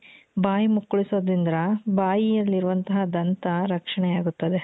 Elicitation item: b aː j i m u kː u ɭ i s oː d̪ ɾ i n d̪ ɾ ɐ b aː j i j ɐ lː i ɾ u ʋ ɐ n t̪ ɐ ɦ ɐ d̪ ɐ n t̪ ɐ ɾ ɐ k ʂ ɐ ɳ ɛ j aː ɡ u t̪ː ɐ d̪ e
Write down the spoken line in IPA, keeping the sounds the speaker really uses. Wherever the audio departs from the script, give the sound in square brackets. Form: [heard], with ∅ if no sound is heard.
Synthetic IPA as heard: b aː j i m u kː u ɭ i s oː d̪ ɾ i n d̪ ɾ ɐ b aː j i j ɐ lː i ɾ u ʋ ɐ n t̪ ɐ ɦ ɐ d̪ ɐ n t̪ ɐ ɾ ɐ k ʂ ɐ ɳ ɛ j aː ɡ u t̪ː ɐ d̪ e